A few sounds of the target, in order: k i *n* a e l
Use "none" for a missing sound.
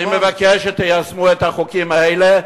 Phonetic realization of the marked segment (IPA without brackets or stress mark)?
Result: m